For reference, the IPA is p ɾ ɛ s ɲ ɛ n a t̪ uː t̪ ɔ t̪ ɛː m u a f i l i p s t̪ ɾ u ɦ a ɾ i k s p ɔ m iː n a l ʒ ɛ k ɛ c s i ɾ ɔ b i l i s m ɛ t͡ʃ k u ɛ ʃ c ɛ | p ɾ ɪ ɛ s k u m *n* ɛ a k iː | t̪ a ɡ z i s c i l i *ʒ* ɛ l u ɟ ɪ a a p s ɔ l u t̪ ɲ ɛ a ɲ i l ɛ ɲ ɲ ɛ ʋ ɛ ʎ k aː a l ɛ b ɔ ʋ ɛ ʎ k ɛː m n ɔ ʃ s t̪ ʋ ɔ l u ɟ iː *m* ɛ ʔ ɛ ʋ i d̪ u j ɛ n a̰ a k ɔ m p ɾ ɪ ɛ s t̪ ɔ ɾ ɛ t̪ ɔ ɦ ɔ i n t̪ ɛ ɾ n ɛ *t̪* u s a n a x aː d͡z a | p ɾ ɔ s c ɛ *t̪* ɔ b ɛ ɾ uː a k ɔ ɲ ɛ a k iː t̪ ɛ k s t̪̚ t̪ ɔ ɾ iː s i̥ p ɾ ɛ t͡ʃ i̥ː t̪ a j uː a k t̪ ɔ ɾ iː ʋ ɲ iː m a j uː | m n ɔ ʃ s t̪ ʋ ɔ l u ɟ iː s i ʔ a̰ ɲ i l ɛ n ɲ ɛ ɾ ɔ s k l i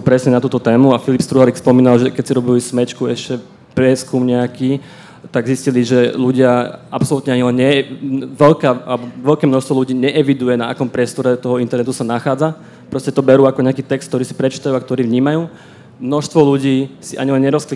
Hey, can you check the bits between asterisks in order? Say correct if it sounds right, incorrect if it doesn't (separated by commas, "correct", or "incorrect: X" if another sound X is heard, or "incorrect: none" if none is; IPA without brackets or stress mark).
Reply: incorrect: ɲ, correct, incorrect: ɲ, correct, correct